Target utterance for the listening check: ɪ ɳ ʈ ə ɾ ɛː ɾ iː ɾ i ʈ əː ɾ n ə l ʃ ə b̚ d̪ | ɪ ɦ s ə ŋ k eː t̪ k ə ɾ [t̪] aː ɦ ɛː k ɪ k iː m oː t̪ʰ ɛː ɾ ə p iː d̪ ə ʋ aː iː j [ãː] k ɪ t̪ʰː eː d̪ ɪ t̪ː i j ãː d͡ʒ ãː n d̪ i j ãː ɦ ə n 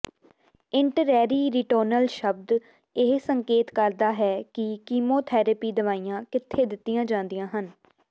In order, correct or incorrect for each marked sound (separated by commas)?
incorrect, correct